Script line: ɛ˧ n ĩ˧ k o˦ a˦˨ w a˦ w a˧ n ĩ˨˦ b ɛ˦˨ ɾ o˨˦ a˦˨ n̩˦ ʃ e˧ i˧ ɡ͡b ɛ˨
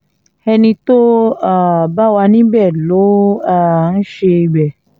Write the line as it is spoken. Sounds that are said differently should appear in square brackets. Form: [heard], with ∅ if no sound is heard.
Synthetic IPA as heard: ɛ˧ n ĩ˧ [t] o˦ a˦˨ [b] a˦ w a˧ n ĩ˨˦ b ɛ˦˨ [l] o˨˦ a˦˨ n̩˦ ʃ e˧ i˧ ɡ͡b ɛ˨